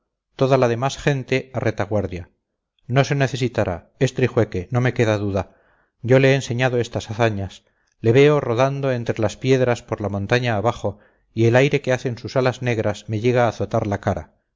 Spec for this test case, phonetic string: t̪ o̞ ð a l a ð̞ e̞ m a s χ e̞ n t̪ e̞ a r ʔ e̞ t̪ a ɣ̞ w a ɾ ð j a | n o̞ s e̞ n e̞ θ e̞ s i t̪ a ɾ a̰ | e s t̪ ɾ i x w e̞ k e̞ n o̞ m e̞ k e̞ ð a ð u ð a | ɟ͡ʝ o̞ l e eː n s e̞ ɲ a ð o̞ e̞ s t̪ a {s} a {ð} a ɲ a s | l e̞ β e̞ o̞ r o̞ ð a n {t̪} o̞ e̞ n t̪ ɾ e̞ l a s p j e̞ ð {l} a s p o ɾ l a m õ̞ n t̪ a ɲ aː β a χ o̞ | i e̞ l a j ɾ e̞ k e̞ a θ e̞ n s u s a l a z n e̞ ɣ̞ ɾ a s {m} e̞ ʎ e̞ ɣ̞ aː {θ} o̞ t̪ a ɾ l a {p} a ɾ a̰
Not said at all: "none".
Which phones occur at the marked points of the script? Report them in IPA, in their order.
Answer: s, θ, d̪, ɾ, m, θ, k

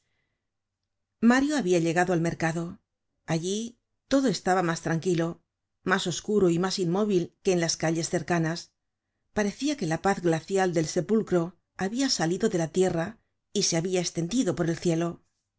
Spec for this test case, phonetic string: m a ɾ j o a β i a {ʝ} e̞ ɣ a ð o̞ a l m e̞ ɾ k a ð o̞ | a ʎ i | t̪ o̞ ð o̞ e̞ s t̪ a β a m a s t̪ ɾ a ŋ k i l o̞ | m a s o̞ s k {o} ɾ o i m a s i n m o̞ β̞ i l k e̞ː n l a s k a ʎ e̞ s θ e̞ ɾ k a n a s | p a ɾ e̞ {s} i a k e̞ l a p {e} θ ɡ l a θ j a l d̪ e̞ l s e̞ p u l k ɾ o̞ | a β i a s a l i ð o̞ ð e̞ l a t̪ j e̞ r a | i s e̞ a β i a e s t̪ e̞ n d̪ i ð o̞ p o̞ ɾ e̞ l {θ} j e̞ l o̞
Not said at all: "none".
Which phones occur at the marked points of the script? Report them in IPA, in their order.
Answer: ʎ, u, θ, a, θ

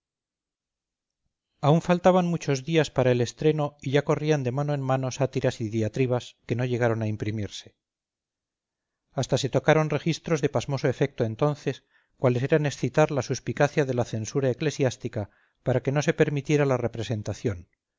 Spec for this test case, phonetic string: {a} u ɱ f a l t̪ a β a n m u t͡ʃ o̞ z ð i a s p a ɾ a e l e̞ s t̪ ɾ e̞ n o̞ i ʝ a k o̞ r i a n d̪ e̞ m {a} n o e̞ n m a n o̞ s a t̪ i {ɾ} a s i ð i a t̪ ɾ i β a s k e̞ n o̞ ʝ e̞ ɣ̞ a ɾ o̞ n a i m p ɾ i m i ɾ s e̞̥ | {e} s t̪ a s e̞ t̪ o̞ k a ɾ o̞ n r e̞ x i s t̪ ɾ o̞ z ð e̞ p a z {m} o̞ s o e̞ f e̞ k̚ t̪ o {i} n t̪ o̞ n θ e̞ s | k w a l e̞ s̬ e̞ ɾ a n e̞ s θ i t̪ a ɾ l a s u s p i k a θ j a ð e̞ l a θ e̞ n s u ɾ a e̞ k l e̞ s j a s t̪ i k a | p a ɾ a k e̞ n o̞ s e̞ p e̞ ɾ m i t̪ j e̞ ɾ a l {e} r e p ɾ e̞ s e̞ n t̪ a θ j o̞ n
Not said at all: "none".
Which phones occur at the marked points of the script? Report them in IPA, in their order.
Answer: a, a, ɾ, a, m, e, a

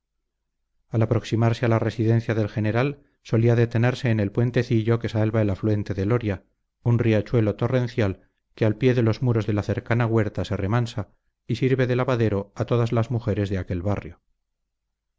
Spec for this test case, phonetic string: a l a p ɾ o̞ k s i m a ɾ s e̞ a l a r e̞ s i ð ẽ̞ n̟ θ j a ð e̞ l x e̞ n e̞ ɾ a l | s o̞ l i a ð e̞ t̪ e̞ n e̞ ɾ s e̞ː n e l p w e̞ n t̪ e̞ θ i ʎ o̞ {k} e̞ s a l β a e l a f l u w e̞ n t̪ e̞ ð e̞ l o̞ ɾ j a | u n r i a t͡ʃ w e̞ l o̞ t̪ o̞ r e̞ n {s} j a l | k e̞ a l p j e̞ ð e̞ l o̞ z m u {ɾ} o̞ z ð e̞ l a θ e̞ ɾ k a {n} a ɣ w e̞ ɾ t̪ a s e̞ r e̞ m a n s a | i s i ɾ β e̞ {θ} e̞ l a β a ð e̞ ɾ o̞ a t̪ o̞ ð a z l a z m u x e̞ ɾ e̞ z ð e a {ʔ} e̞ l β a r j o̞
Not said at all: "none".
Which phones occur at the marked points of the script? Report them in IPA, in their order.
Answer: k, θ, ɾ, n, ð, k

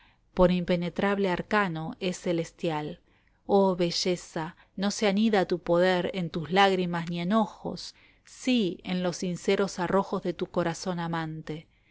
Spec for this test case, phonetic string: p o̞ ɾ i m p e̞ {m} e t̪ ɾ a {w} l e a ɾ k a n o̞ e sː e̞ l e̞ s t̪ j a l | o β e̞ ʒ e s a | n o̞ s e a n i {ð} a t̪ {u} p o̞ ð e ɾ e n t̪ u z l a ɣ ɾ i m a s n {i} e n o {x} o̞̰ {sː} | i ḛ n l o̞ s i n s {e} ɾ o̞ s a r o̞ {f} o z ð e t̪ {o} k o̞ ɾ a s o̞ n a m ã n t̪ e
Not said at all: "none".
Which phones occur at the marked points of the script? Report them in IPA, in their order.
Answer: n, β, ð, u, i, x, sː, e, x, u

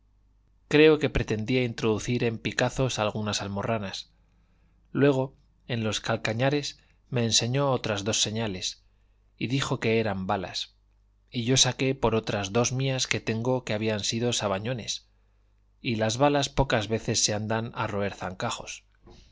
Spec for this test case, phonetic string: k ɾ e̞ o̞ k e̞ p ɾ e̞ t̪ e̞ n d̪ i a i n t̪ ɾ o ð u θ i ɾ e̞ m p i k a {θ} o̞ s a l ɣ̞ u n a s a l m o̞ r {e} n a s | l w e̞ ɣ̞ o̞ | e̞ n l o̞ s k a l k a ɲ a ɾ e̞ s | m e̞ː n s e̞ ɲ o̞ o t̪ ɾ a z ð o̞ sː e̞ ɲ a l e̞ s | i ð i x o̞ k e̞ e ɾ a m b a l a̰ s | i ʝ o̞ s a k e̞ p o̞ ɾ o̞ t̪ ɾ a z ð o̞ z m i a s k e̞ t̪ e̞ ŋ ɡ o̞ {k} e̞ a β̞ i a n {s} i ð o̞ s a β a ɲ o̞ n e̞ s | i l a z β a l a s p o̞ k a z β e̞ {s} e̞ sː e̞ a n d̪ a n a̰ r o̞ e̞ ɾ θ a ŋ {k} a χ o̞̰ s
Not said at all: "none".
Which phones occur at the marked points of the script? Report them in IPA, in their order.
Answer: θ, a, k, s, θ, k

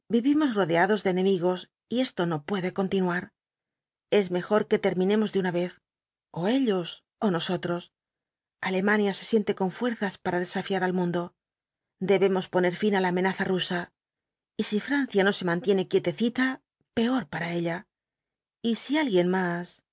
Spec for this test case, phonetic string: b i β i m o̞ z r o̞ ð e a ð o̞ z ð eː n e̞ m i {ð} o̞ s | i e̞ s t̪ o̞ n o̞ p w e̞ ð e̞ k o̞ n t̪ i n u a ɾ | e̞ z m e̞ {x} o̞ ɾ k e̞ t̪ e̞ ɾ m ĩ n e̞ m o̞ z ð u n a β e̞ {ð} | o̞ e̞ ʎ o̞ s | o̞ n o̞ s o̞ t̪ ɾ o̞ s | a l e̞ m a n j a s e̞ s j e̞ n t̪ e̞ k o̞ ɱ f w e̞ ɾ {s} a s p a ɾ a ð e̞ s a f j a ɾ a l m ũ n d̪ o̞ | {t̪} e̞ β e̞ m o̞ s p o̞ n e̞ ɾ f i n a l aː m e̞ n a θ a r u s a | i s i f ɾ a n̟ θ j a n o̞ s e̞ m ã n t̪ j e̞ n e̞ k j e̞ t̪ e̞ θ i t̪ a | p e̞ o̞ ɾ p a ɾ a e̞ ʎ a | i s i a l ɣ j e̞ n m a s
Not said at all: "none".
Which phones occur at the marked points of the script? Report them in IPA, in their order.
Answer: ɣ, x, θ, θ, d̪

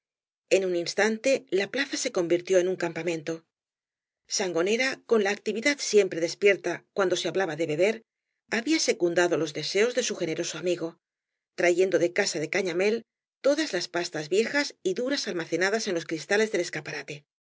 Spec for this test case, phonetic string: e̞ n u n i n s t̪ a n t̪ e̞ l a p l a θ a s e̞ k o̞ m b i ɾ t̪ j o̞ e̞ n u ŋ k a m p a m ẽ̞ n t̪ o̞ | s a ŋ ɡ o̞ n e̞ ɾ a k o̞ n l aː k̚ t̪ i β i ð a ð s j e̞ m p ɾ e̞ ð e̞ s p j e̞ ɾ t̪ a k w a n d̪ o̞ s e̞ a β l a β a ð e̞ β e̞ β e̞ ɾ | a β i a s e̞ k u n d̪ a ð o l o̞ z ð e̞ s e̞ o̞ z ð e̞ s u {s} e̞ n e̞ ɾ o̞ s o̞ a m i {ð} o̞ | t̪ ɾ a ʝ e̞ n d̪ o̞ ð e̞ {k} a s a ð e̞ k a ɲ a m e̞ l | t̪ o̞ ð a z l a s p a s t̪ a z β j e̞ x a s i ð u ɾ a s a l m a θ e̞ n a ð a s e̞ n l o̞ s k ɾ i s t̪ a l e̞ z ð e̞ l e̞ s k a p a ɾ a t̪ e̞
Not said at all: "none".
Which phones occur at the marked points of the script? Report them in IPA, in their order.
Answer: x, ɣ, k

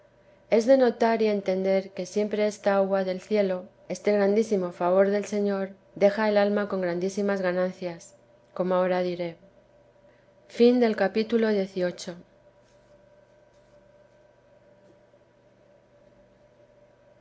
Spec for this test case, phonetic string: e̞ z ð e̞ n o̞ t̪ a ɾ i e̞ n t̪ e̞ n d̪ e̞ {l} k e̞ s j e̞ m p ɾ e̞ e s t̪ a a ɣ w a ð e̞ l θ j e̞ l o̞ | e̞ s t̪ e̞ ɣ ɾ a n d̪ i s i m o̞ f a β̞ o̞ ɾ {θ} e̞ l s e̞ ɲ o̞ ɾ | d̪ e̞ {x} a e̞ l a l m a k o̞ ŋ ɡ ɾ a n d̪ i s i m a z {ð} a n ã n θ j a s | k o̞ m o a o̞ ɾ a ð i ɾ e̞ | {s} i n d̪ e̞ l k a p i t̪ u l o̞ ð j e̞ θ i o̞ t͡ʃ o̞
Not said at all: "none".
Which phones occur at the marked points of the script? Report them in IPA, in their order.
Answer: ɾ, ð, x, ɣ, f

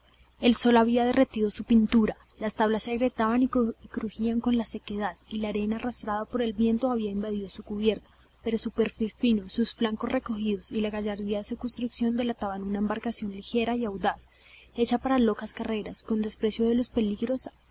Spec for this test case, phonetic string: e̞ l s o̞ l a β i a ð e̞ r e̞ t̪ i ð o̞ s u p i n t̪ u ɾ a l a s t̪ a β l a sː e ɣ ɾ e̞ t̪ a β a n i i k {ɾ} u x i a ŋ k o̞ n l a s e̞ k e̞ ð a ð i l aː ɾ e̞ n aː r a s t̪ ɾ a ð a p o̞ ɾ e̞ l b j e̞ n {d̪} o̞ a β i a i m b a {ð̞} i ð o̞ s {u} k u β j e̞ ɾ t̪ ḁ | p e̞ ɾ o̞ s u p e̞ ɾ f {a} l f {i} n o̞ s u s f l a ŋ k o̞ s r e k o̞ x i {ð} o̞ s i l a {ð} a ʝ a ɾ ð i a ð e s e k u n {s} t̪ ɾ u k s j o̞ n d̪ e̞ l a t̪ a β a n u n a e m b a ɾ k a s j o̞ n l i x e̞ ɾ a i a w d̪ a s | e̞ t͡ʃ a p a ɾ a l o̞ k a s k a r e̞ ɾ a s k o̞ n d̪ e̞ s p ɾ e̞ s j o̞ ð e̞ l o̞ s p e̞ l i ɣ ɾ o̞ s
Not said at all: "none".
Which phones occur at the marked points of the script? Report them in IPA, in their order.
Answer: ɾ, t̪, ð̞, u, i, i, ð, ɣ, s

